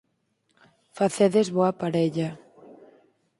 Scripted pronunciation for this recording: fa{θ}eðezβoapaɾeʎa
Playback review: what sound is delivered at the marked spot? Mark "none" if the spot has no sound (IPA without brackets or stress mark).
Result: θ